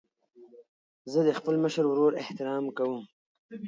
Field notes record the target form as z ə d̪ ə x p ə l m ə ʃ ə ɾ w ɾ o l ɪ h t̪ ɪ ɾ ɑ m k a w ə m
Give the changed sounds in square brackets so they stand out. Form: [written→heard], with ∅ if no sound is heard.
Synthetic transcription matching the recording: z ə d̪ ə x p ə l m ə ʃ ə ɾ w ɾ o [l→ɾ] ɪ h t̪ ɪ ɾ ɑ m k a w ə m